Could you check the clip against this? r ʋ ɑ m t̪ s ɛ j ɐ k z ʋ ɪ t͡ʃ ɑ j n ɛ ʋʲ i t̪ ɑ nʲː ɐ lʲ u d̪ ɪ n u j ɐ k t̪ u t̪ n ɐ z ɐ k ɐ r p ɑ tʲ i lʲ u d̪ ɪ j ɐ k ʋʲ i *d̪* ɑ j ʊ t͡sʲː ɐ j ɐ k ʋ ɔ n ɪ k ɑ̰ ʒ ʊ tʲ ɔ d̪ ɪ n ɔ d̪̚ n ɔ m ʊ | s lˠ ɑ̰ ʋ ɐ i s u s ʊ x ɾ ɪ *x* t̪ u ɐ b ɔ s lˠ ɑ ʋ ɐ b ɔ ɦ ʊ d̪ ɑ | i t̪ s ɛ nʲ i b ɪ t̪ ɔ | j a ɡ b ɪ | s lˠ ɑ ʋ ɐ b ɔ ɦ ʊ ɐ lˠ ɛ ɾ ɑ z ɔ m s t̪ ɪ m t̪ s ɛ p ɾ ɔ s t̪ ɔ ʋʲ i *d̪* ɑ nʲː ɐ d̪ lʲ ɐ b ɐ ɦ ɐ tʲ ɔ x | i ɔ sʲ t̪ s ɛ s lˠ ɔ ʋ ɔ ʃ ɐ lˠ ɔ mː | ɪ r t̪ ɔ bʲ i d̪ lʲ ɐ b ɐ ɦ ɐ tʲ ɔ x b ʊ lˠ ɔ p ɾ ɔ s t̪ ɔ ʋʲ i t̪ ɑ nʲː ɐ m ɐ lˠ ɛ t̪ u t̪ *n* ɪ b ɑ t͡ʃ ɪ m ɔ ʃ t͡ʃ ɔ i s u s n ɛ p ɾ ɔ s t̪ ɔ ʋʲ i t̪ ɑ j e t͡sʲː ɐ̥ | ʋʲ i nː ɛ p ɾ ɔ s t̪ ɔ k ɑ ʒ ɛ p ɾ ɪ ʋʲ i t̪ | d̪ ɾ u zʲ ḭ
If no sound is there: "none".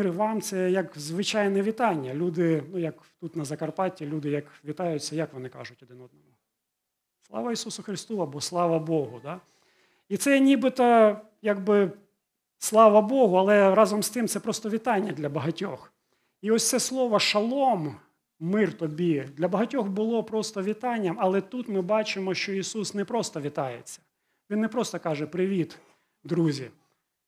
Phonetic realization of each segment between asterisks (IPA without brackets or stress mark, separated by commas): t̪, s, t̪, m